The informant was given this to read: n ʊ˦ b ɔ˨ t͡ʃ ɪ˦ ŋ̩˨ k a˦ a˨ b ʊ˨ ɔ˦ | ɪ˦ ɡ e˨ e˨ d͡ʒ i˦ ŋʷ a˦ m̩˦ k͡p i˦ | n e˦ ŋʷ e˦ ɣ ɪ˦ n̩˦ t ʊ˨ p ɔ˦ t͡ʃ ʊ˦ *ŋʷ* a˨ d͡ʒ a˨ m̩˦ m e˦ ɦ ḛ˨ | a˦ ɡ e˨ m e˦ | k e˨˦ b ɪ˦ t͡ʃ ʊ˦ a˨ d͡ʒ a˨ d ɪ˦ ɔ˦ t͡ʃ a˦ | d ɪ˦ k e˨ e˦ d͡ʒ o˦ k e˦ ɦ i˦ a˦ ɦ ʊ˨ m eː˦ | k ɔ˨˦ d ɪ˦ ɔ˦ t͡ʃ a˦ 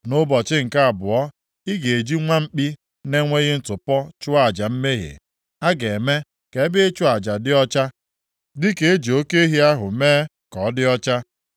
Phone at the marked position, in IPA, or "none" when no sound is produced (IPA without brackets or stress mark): none